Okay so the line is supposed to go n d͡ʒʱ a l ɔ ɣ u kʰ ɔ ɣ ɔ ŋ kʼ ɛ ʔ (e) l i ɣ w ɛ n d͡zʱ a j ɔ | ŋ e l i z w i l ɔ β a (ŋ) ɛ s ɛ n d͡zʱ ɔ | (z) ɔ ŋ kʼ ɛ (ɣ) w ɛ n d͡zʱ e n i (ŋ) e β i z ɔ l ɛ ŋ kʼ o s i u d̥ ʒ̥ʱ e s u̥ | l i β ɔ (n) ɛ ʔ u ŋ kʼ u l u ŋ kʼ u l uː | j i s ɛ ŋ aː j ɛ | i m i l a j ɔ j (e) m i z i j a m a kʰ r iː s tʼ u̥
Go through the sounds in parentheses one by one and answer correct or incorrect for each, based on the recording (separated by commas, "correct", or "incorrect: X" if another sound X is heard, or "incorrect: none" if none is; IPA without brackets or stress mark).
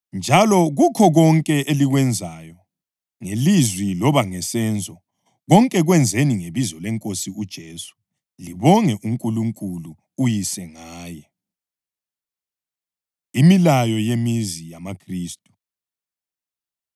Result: correct, correct, incorrect: ɣ, correct, correct, incorrect: ŋ, correct